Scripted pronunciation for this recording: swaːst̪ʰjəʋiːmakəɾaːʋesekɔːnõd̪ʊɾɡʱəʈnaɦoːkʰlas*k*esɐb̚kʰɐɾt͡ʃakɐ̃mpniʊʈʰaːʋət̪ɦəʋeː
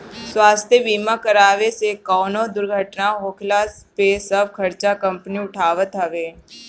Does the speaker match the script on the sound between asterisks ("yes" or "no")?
no